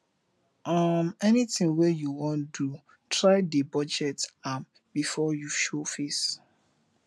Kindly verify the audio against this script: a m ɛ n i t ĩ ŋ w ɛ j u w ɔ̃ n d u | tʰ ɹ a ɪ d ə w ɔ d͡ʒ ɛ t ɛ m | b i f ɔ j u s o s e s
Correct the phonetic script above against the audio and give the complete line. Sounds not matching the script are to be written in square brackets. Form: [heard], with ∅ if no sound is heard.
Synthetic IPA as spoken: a m ɛ n i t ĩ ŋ w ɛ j u w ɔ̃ n d u | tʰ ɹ a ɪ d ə [b] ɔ d͡ʒ ɛ t [a] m | b i f ɔ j u [ʃ] o [f] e s